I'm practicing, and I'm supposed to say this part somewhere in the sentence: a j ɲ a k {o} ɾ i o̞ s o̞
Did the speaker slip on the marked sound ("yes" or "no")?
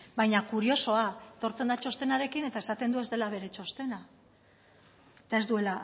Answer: yes